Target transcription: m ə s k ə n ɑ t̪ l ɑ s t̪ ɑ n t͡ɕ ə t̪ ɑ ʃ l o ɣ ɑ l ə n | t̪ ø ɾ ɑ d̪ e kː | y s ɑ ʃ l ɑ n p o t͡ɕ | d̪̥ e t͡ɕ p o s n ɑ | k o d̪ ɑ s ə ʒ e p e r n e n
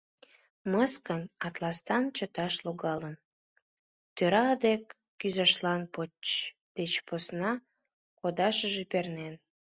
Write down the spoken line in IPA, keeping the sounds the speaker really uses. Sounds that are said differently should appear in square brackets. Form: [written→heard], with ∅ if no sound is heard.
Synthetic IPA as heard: m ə s k ə n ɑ t̪ l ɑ s t̪ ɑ n t͡ɕ ə t̪ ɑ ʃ l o ɣ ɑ l ə n | t̪ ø ɾ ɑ d̪ e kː | y [s→z] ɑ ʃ l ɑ n p o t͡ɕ | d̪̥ e t͡ɕ p o s n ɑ | k o d̪ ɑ [s→ʃ] ə ʒ e p e r n e n